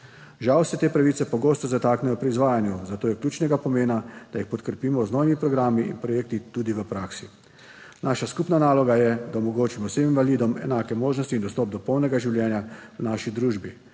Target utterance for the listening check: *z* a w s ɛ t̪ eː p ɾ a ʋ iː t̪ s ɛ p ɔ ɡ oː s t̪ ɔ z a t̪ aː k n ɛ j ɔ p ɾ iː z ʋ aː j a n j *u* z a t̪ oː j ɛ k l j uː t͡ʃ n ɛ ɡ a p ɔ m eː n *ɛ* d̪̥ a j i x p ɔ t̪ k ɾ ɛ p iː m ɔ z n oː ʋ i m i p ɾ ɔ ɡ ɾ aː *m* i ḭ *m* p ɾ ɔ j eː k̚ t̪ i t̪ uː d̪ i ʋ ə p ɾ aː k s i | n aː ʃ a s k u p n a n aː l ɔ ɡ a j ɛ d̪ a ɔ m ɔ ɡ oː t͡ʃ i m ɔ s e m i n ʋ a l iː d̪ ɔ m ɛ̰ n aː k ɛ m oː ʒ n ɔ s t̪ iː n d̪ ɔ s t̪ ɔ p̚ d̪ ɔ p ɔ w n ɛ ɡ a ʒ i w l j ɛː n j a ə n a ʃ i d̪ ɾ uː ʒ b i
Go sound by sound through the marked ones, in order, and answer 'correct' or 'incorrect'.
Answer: incorrect: ʒ, correct, incorrect: a, correct, incorrect: n

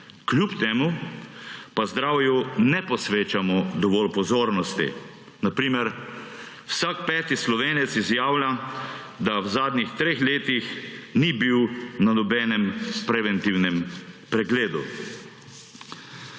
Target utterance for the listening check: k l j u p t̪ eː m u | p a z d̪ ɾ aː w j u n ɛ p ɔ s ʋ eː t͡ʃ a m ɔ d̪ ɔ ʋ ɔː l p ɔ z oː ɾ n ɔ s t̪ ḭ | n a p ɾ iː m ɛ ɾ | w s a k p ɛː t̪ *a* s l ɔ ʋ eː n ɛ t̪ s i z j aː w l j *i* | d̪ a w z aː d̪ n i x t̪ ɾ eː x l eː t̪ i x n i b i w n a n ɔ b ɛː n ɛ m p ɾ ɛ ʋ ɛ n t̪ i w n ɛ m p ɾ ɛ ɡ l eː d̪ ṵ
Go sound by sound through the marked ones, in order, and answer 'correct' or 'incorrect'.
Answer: incorrect: i, incorrect: a

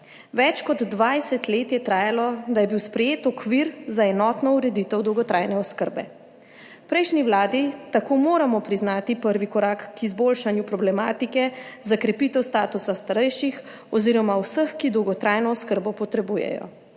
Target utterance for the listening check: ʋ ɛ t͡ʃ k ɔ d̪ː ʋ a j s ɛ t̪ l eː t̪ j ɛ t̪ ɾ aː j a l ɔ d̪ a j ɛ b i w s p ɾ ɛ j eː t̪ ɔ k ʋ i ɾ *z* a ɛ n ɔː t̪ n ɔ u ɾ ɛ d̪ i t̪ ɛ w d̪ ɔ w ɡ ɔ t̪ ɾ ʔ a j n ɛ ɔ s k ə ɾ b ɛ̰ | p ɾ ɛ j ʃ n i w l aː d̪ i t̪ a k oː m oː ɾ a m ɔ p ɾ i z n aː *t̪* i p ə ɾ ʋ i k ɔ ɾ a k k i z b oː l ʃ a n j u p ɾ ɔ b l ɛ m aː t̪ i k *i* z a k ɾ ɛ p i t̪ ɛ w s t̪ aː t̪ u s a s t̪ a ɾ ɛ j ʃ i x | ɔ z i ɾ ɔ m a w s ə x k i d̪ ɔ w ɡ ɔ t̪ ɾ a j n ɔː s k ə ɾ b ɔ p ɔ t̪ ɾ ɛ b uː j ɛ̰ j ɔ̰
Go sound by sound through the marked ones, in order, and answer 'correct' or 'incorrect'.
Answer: correct, correct, incorrect: ɛ

